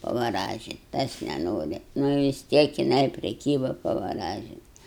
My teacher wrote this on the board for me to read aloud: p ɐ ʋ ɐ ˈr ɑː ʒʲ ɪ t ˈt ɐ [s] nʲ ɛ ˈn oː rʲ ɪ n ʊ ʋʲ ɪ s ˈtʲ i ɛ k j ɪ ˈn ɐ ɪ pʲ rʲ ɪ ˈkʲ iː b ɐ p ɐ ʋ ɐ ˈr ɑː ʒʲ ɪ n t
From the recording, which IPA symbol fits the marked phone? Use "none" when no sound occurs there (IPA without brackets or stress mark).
s